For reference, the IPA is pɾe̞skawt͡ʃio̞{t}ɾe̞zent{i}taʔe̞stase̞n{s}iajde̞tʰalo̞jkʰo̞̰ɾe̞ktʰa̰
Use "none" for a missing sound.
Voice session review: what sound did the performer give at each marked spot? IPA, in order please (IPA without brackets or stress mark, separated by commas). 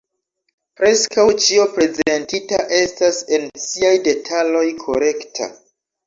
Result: p, i, s